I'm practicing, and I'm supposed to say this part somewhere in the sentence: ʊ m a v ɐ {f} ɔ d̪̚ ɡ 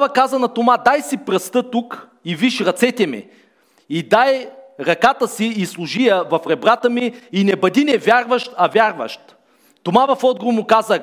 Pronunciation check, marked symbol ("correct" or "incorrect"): correct